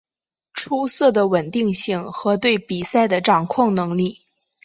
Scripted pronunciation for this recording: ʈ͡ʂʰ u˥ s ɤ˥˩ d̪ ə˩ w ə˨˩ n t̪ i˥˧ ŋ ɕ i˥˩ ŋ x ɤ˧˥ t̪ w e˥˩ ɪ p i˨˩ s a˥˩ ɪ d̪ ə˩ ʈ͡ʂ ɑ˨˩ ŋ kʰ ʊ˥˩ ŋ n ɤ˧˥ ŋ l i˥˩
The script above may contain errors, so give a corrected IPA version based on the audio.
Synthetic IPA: ʈ͡ʂʰ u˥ s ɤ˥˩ d̪ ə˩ w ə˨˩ n t̪ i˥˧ ŋ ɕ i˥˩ ŋ x ɤ˧˥ t̪ w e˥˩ ɪ p i˨˩ s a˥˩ ɪ d̪ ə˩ ʈ͡ʂ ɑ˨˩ ŋ kʰ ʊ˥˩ ŋ n ɤ˧˥ ŋ l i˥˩